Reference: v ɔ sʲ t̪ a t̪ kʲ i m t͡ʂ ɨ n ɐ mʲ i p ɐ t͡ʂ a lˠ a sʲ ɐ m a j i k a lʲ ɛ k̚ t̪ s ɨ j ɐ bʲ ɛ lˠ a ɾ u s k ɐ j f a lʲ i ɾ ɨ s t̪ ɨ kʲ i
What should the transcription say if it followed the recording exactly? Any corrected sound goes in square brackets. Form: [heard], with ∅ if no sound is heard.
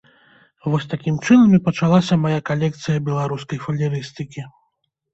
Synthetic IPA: v ɔ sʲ t̪ a [∅] kʲ i m t͡ʂ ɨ n ɐ mʲ i p ɐ t͡ʂ a lˠ a sʲ ɐ m a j [a] k a lʲ ɛ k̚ t̪ s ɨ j ɐ bʲ ɛ lˠ a ɾ u s k ɐ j f [ɐ] lʲ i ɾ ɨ s t̪ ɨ kʲ i

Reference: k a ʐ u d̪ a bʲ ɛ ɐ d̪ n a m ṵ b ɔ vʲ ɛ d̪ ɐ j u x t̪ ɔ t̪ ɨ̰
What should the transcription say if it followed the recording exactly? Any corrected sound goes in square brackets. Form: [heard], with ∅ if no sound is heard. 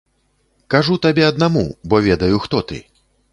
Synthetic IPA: k a ʐ u [t̪] a bʲ ɛ ɐ d̪ n a m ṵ b ɔ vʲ ɛ d̪ ɐ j u x t̪ ɔ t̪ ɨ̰

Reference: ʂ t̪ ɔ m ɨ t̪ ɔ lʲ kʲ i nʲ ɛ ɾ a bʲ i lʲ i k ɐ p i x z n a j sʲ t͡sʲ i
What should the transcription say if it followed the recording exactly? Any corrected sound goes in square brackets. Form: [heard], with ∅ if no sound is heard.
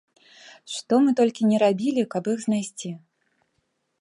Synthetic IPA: ʂ t̪ ɔ m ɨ t̪ ɔ lʲ kʲ i nʲ ɛ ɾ a bʲ i lʲ i k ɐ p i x z n a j sʲ t͡sʲ i

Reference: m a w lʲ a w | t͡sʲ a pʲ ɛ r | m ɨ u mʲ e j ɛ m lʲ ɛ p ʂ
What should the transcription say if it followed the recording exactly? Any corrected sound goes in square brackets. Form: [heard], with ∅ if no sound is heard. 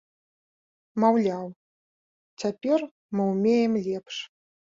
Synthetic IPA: m a w lʲ a w | t͡sʲ a pʲ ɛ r | m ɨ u mʲ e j ɛ m lʲ ɛ p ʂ

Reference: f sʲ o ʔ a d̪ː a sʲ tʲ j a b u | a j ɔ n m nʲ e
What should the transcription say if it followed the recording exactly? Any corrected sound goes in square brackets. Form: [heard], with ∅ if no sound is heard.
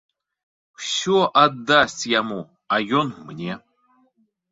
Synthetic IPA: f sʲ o ʔ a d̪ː a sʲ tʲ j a [m] u | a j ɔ n m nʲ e

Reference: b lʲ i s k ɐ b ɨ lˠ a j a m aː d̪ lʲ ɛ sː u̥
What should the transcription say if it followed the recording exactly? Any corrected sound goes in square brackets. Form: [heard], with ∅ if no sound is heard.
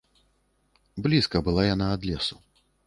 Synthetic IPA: b lʲ i s k ɐ b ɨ lˠ a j a [n] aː d̪ lʲ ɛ [s] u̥

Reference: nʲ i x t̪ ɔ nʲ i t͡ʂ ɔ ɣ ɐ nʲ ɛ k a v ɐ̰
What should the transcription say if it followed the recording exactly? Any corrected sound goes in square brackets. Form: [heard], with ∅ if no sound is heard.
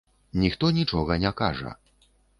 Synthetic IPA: nʲ i x t̪ ɔ nʲ i t͡ʂ ɔ ɣ ɐ nʲ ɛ k a [ʐ] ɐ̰

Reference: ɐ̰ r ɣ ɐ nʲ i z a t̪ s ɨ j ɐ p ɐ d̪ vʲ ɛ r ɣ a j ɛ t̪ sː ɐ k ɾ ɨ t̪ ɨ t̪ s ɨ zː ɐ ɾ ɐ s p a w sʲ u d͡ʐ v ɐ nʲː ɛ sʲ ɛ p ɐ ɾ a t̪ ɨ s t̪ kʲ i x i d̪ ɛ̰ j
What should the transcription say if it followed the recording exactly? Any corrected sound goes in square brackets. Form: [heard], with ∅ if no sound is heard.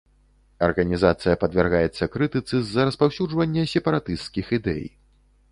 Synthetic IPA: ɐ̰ r ɣ ɐ nʲ i z a t̪ s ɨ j ɐ p ɐ d̪ vʲ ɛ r ɣ a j ɛ t̪ sː ɐ k ɾ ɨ t̪ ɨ t̪ s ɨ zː ɐ ɾ ɐ s p a w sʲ u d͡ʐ v ɐ nʲː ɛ sʲ ɛ p ɐ ɾ a t̪ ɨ s t̪ kʲ i x i d̪ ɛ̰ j

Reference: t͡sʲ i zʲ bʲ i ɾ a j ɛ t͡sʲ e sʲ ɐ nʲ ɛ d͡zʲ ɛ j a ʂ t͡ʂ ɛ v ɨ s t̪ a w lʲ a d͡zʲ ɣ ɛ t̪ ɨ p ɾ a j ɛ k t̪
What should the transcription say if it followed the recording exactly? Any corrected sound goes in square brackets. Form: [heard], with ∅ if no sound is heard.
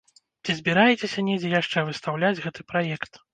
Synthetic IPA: t͡sʲ i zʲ bʲ i ɾ a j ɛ t͡sʲ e sʲ ɐ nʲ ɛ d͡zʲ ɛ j a ʂ t͡ʂ ɛ v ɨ s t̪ a w lʲ a d͡zʲ ɣ ɛ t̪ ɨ p ɾ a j ɛ k t̪

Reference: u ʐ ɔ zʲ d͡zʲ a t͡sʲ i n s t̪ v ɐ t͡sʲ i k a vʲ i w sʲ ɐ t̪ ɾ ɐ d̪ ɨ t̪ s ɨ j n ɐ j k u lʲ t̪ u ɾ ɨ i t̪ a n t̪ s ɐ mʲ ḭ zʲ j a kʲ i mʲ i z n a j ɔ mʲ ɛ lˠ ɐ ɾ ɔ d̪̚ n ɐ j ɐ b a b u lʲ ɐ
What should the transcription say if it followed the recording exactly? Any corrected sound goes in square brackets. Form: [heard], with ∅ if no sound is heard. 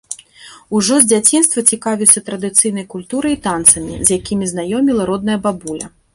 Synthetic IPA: u ʐ ɔ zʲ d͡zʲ a t͡sʲ i n s t̪ v ɐ t͡sʲ i k a vʲ i w sʲ ɐ t̪ ɾ ɐ d̪ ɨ t̪ s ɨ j n ɐ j k u lʲ t̪ u ɾ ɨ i t̪ a n t̪ s ɐ mʲ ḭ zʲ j a kʲ i mʲ i z n a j ɔ mʲ [i] lˠ ɐ ɾ ɔ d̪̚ n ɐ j ɐ b a b u lʲ ɐ

